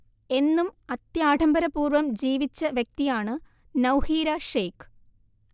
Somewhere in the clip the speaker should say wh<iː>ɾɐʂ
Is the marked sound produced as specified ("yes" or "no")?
yes